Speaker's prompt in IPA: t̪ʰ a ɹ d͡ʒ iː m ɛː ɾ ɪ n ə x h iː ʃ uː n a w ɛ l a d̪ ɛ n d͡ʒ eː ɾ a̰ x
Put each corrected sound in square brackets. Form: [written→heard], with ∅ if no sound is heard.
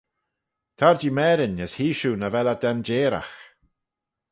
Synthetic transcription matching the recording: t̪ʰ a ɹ d͡ʒ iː m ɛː ɾ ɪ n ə [x→s] h iː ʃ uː n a [w→v] ɛ l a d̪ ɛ n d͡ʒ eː ɾ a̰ x